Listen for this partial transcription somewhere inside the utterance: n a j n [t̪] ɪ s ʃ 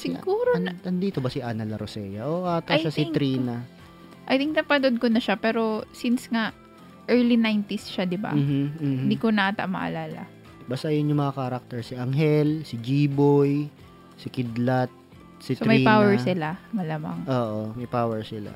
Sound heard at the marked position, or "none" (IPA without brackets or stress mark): t̪